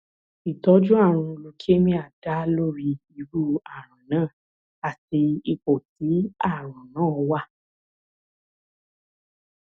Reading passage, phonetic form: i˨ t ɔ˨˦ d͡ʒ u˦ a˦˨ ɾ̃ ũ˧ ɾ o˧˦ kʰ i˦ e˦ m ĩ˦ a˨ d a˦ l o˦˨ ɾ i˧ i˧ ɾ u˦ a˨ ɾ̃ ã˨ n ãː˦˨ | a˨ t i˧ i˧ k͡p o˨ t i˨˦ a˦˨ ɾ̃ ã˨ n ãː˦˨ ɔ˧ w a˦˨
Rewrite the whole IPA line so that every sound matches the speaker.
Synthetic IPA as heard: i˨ t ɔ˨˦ d͡ʒ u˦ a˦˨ ɾ̃ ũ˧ l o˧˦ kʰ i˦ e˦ m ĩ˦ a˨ d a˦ l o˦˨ ɾ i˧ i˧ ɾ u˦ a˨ ɾ̃ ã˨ n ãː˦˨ | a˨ t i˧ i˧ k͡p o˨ t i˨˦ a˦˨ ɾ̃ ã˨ n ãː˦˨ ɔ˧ w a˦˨